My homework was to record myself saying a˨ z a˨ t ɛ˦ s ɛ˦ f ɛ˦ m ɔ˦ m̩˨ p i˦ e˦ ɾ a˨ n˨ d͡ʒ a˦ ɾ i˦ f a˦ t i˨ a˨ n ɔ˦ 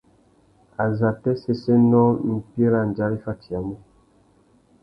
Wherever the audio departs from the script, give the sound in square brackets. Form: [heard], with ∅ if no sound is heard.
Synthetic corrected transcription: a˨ z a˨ t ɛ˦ s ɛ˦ [s] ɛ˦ [n] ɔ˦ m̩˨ p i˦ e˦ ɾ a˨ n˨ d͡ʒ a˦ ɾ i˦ f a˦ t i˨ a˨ [m] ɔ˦